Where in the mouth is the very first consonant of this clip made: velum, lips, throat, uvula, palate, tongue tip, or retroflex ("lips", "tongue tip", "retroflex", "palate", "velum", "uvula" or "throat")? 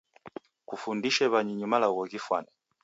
velum